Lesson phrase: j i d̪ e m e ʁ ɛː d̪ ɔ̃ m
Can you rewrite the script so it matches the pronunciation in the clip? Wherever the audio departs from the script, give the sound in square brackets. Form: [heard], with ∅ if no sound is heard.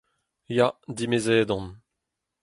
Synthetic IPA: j [a] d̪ [i] m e [z] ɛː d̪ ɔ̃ [n]